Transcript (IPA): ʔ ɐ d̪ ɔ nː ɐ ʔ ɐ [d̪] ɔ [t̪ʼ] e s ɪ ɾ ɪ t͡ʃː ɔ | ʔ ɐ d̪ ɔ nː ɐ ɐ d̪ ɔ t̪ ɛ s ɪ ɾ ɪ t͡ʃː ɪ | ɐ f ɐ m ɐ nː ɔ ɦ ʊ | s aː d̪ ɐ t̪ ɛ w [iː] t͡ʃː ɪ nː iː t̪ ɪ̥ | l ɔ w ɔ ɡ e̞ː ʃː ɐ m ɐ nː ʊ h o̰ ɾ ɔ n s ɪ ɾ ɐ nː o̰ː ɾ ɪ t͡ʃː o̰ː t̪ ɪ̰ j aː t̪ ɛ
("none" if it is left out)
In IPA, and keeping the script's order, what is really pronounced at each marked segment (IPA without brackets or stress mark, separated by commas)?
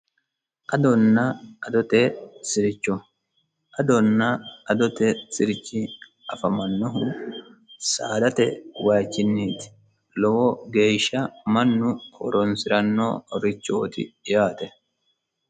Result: d̪, t̪, aː